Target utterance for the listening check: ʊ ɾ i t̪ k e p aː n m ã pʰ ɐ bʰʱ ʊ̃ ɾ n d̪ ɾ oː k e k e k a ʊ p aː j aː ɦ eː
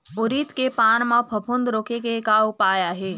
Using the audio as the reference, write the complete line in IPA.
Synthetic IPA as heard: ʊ ɾ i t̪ k e p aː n m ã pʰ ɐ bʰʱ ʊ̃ n d̪ ɾ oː k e k e k a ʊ p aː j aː ɦ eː